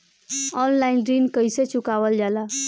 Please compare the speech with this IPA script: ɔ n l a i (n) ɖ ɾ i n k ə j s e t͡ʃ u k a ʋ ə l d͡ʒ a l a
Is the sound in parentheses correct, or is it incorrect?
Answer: correct